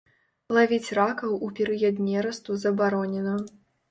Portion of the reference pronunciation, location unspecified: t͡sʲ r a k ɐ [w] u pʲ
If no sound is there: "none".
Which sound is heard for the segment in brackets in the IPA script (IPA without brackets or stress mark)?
w